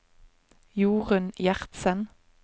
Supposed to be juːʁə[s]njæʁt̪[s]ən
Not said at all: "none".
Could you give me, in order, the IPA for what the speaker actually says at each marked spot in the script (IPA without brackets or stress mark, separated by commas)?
none, s